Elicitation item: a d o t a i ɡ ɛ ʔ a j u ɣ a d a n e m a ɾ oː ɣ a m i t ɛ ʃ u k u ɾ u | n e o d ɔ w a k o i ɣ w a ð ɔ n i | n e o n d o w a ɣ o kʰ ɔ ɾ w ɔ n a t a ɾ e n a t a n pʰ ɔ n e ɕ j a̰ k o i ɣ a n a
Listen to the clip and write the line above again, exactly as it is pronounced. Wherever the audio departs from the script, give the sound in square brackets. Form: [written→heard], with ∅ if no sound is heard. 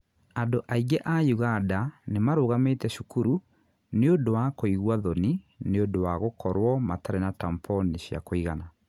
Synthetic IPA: a d o [t→ʔ] a i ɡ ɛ ʔ a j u ɣ a d a n e m a ɾ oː ɣ a m [i→e] t ɛ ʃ u k u ɾ u | n e o d [ɔ→o] w a k o i ɣ w a ð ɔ n i | n e o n d o w a ɣ o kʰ ɔ ɾ w ɔ [n→m] a t a ɾ e n a t a [n→m] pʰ ɔ n e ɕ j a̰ k o i ɣ a n a